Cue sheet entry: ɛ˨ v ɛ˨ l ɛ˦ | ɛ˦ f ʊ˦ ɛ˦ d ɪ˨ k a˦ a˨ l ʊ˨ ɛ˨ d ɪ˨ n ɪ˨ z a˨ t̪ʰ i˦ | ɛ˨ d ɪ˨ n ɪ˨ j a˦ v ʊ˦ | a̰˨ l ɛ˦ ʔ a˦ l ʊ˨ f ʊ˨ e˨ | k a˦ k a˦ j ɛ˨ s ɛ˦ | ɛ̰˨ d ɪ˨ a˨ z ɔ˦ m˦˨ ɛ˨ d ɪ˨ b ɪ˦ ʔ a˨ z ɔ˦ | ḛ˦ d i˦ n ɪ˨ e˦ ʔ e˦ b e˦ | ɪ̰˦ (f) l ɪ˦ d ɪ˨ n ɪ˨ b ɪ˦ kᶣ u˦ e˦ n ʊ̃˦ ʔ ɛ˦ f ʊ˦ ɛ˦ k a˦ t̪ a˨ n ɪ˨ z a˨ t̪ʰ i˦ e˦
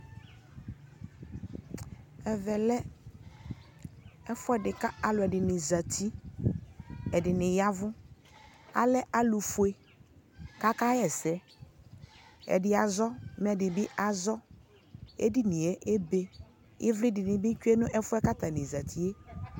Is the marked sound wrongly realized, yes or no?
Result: yes